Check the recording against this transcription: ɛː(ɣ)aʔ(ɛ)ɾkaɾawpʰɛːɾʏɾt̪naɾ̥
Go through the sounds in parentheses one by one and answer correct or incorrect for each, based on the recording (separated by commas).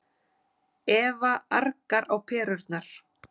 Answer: incorrect, incorrect